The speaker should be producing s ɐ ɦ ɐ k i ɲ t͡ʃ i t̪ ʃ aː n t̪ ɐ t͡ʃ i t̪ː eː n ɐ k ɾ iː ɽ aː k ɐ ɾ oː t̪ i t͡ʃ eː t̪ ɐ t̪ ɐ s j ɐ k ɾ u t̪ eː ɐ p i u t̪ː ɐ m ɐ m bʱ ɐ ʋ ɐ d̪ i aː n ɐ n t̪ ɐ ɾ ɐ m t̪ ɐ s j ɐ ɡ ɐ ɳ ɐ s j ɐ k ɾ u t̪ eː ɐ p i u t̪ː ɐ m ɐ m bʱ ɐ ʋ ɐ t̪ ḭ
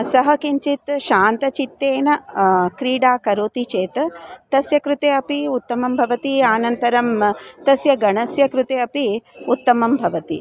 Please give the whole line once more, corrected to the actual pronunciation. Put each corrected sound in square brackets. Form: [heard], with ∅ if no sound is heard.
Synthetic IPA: s ɐ ɦ ɐ k i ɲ t͡ʃ i t̪ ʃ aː n t̪ ɐ t͡ʃ i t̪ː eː n ɐ k ɾ iː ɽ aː k ɐ ɾ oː t̪ i t͡ʃ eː t̪ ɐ t̪ ɐ s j ɐ k ɾ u t̪ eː ɐ p i u t̪ː ɐ m ɐ m bʱ ɐ ʋ ɐ [t̪] i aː n ɐ n t̪ ɐ ɾ ɐ m t̪ ɐ s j ɐ ɡ ɐ ɳ ɐ s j ɐ k ɾ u t̪ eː ɐ p i u t̪ː ɐ m ɐ m bʱ ɐ ʋ ɐ t̪ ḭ

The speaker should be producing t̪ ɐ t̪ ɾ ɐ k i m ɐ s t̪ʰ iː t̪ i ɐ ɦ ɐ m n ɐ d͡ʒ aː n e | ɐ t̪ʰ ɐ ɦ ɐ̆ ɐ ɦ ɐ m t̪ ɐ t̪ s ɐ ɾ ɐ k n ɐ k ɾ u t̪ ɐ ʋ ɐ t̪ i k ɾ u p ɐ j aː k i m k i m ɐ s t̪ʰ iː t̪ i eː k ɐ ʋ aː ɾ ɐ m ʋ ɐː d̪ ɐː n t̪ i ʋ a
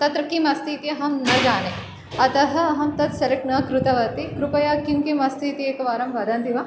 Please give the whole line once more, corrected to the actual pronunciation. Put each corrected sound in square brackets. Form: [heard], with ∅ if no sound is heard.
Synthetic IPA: t̪ ɐ t̪ ɾ ɐ k i m ɐ s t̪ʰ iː t̪ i ɐ ɦ ɐ m n ɐ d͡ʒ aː n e | ɐ [t̪] ɐ ɦ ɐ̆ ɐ ɦ ɐ m t̪ ɐ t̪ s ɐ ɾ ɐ k n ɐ k ɾ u t̪ ɐ ʋ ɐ t̪ i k ɾ u p ɐ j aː k i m k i m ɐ s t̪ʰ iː t̪ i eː k ɐ ʋ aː ɾ ɐ m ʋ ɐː d̪ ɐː n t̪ i ʋ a

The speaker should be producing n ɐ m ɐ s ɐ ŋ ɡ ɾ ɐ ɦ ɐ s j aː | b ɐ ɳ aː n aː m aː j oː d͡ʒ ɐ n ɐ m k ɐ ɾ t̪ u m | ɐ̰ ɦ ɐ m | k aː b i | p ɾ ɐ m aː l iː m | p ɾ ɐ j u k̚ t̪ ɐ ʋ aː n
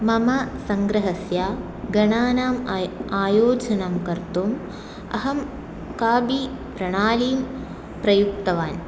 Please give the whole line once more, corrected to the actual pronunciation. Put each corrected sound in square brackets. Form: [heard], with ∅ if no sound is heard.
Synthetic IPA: [m] ɐ m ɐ s ɐ ŋ ɡ ɾ ɐ ɦ ɐ s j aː | [ɡ] ɐ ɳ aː n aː m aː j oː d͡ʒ ɐ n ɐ m k ɐ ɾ t̪ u m | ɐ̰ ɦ ɐ m | k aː b i | p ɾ ɐ [ɳ] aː l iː m | p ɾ ɐ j u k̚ t̪ ɐ ʋ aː n

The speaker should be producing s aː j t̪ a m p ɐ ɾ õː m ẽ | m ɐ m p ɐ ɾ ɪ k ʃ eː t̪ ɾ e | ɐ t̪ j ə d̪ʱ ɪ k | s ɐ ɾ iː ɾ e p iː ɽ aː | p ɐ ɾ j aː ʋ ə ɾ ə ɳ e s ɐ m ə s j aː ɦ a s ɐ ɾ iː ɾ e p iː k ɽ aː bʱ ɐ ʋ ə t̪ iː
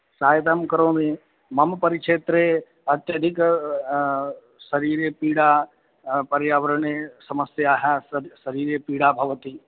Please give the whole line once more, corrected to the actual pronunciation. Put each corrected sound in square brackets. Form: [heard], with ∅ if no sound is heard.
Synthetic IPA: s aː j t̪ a m [k] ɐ ɾ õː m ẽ | m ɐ m p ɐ ɾ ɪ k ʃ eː t̪ ɾ e | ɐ t̪ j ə d̪ʱ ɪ k | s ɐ ɾ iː ɾ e p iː ɽ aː | p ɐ ɾ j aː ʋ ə ɾ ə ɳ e s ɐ m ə s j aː ɦ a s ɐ ɾ iː ɾ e p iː [∅] ɽ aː bʱ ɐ ʋ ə t̪ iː

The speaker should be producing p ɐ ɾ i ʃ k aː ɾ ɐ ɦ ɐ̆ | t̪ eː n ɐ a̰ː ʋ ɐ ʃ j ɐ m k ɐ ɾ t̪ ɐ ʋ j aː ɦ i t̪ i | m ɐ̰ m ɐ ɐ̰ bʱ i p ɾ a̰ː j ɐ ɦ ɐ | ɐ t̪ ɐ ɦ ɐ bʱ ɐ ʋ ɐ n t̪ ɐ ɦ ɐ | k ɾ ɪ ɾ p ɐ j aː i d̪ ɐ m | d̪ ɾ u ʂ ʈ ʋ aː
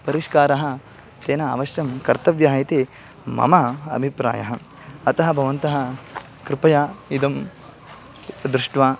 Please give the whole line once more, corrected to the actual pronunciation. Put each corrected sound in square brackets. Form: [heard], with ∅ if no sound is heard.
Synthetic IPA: p ɐ ɾ i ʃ k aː ɾ ɐ ɦ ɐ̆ | t̪ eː n ɐ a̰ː ʋ ɐ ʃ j ɐ m k ɐ ɾ t̪ ɐ ʋ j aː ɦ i t̪ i | m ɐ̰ m ɐ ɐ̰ bʱ i p ɾ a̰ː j ɐ ɦ ɐ | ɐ t̪ ɐ ɦ ɐ bʱ ɐ ʋ ɐ n t̪ ɐ ɦ ɐ | k ɾ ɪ [∅] p ɐ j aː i d̪ ɐ m | d̪ ɾ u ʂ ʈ ʋ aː

